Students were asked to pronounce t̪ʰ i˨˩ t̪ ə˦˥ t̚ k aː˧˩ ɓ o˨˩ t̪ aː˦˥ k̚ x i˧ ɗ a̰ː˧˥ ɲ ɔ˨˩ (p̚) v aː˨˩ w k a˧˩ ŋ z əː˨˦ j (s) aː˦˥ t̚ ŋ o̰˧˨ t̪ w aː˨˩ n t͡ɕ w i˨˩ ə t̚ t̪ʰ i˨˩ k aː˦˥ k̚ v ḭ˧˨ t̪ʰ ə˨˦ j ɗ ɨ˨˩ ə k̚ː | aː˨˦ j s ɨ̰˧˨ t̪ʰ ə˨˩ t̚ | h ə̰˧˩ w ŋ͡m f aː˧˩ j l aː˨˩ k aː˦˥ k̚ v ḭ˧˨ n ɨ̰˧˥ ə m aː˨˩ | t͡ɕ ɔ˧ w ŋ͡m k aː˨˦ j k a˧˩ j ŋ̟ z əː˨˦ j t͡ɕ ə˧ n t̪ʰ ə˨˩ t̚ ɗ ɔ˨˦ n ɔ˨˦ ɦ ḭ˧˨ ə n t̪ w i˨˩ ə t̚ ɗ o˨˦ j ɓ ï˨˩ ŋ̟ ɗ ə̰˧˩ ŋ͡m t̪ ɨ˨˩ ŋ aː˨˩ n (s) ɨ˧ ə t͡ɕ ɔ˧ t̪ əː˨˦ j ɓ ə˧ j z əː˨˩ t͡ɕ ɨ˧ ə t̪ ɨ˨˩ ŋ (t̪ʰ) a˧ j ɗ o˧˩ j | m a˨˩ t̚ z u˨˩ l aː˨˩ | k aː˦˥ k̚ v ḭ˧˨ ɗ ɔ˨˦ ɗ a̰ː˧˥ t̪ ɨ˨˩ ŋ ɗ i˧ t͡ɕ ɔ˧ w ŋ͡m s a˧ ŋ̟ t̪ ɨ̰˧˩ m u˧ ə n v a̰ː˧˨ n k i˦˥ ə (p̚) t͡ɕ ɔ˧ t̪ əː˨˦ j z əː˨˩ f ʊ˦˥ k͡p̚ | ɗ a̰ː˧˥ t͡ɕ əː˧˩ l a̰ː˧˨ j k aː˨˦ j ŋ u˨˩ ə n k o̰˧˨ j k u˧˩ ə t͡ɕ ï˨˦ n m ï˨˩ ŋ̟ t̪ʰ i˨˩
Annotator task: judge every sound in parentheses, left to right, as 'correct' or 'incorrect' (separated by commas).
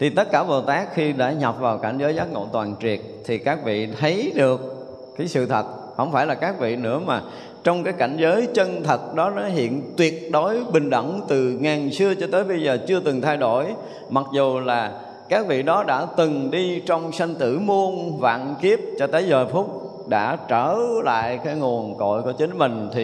correct, incorrect, correct, correct, correct